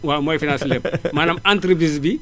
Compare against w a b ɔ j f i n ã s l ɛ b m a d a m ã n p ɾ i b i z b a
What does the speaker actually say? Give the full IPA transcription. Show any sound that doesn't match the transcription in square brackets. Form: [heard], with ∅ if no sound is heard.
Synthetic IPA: w a [m] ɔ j f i n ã s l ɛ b m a [n] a m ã n [t] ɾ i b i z b [i]